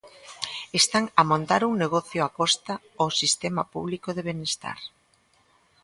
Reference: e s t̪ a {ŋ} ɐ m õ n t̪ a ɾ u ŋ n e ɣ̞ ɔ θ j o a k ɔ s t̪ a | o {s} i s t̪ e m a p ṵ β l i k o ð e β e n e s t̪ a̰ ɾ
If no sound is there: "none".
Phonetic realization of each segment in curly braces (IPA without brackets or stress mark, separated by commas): ŋ, s